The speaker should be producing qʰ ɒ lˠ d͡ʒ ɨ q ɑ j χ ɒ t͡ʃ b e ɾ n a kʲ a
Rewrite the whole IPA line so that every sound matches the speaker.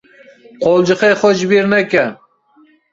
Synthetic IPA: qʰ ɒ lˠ d͡ʒ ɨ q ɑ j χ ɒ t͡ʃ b e ɾ n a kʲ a